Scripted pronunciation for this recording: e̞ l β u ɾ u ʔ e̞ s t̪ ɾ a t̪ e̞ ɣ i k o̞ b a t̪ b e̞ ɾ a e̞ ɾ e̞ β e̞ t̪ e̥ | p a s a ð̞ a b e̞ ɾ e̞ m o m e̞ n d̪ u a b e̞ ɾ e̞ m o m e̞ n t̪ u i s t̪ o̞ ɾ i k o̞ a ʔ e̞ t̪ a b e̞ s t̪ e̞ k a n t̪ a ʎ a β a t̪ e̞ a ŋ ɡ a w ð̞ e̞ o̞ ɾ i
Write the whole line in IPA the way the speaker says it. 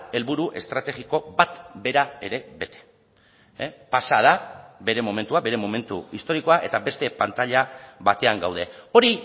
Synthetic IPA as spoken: e̞ l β u ɾ u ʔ e̞ s t̪ ɾ a t̪ e̞ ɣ i k o̞ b a t̪ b e̞ ɾ a e̞ ɾ e̞ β e̞ t̪ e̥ | p a s a ð̞ a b e̞ ɾ e̞ m o m e̞ n t̪ u a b e̞ ɾ e̞ m o m e̞ n t̪ u i s t̪ o̞ ɾ i k o̞ a ʔ e̞ t̪ a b e̞ s t̪ e̞ p a n t̪ a ʎ a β a t̪ e̞ a ŋ ɡ a w ð̞ e̞ o̞ ɾ i